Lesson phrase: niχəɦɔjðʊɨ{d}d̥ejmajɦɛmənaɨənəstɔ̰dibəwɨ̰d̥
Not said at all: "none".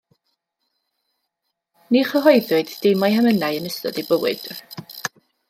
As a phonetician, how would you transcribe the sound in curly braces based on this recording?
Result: d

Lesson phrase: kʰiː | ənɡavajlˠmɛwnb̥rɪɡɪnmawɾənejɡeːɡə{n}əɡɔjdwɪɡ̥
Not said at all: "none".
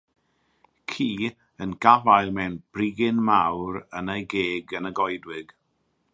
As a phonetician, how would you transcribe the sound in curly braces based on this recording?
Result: n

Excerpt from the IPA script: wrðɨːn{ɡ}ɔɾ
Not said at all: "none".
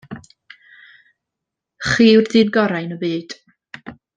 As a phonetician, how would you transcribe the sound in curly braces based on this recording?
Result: ɡ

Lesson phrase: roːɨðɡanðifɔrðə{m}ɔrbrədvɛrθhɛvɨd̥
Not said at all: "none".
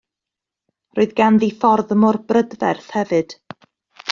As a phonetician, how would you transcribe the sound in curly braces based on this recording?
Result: m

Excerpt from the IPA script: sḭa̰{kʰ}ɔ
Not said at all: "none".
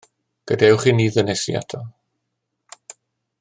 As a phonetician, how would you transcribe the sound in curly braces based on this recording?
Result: tʰ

